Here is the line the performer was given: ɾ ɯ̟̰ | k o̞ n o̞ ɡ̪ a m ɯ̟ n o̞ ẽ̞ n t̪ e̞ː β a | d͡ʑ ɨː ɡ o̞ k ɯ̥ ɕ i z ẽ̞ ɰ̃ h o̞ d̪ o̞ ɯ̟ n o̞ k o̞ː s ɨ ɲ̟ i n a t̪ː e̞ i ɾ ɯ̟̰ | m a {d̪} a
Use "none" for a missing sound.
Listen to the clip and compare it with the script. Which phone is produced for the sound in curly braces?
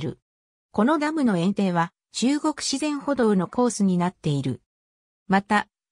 t̪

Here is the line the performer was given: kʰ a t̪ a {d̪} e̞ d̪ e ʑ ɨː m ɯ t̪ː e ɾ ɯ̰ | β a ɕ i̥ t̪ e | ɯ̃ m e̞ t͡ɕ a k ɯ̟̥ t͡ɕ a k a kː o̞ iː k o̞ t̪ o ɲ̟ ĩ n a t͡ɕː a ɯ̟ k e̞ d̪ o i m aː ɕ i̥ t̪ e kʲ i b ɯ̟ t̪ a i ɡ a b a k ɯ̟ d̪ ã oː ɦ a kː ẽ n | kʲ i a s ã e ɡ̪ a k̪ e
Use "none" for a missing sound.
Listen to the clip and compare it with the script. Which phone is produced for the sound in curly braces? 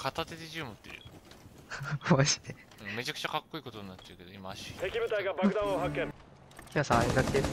t̪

